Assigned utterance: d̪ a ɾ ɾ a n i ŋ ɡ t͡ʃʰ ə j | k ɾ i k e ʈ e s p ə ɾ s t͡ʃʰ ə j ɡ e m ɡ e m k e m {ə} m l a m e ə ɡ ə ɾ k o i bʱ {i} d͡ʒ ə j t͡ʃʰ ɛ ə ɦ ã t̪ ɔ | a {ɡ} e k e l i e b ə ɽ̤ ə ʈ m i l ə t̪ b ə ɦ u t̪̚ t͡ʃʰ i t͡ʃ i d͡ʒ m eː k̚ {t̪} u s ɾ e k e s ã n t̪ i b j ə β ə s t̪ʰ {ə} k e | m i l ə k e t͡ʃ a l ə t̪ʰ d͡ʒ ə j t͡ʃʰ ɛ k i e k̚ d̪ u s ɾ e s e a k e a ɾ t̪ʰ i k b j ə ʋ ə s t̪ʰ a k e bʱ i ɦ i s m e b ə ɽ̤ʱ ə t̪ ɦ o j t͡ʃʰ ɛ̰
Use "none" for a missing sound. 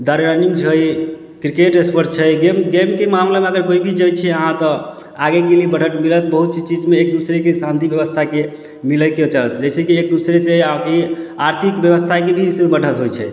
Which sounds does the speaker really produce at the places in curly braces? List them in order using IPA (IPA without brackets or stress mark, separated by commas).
a, i, ɡ, d̪, a